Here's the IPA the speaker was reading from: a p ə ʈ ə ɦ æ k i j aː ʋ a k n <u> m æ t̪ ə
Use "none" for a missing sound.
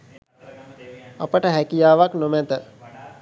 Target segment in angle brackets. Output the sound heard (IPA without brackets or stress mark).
o